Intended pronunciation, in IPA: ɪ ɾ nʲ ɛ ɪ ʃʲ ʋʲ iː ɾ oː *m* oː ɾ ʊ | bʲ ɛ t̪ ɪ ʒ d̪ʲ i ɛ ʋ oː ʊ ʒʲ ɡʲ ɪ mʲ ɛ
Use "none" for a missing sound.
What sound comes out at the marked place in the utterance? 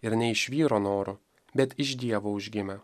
n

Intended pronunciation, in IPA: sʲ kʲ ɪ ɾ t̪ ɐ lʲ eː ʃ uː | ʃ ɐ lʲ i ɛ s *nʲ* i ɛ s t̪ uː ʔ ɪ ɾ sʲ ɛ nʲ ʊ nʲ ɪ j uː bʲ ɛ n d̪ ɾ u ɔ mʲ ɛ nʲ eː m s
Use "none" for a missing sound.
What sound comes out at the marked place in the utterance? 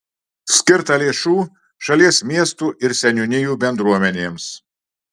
mʲ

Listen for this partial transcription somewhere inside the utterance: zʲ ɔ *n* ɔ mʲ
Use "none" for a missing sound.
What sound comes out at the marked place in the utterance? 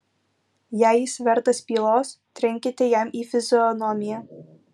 n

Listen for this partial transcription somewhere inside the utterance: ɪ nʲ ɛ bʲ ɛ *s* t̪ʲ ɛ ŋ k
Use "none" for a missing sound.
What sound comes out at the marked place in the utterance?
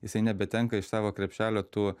none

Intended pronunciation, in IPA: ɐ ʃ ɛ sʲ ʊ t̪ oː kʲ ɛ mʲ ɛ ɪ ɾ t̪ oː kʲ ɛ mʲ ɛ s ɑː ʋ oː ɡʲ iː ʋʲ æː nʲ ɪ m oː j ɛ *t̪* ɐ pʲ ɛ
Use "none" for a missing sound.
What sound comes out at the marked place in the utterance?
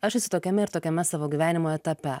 t̪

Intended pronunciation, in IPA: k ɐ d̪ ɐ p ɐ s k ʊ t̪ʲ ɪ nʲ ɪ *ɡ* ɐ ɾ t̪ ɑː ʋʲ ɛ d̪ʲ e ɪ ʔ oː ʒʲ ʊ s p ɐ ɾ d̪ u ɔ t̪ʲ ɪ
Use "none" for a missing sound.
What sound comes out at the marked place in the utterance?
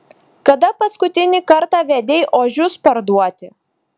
k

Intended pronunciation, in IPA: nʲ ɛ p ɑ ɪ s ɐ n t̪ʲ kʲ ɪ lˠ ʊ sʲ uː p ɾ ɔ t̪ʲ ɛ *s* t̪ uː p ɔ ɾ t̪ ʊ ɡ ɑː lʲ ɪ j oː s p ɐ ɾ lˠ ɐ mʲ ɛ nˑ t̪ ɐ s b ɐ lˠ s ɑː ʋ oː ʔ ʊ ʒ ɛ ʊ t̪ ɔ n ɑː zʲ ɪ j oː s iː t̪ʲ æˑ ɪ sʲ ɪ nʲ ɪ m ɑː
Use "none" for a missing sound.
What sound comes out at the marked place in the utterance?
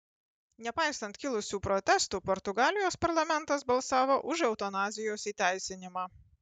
s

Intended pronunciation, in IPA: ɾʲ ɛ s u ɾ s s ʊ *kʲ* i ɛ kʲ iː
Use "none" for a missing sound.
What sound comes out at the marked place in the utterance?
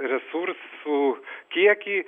kʲ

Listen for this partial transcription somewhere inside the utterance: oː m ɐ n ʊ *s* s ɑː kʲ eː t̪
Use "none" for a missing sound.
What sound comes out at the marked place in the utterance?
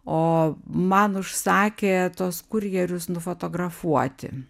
ʃ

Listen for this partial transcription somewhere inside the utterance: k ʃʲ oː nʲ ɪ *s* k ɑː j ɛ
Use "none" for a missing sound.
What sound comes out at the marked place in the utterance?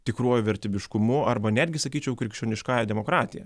ʃ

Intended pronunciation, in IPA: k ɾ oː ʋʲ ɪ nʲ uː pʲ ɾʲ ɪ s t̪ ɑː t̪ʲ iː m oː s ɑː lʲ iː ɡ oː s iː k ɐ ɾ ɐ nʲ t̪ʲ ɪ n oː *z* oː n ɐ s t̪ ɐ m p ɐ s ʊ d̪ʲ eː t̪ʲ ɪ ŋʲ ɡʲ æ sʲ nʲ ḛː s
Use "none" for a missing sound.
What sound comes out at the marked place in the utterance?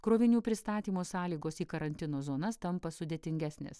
z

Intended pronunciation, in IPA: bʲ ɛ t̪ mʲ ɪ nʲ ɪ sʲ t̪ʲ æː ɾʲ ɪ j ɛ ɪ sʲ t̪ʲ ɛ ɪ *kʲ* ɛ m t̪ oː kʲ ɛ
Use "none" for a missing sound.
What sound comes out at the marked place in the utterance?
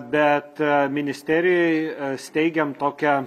ɡʲ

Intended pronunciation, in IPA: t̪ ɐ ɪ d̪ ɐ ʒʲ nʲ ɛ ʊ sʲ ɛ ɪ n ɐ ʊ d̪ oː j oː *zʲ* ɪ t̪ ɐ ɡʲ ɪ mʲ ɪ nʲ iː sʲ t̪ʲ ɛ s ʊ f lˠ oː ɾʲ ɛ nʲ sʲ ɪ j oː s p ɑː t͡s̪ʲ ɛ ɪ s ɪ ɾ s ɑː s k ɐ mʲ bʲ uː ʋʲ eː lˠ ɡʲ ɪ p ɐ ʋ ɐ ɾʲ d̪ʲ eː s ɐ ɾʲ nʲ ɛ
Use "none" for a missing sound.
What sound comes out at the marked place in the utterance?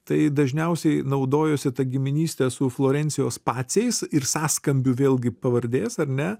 sʲ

